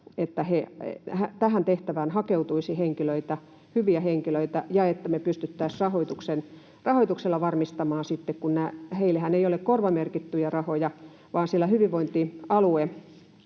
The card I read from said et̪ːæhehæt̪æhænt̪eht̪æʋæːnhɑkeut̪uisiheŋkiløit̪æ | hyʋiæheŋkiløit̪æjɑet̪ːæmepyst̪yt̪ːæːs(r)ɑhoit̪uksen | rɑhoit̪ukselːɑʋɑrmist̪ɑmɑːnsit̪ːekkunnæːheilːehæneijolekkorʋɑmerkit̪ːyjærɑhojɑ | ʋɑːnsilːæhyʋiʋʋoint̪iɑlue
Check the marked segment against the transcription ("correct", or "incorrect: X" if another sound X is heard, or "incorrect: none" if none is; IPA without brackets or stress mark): correct